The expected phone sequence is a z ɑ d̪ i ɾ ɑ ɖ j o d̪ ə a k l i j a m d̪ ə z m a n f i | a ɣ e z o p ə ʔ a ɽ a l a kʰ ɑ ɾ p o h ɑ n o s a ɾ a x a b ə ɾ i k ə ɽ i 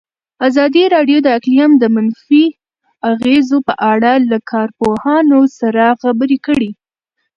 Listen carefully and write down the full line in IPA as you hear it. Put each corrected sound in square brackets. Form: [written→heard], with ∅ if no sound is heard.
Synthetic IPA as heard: a z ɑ d̪ i ɾ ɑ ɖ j o d̪ ə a k l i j a m d̪ ə [z→∅] m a n f i | a ɣ e z o p ə ʔ a ɽ a l a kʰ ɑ ɾ p o h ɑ n o s a ɾ a x a b ə ɾ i k ə ɽ i